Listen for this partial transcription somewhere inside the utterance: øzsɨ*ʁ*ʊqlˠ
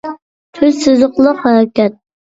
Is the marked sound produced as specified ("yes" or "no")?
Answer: no